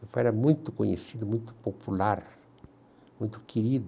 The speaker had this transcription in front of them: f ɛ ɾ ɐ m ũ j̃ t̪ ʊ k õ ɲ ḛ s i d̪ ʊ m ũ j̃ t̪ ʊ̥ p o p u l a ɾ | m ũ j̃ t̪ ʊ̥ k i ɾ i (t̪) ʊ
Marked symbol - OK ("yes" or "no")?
no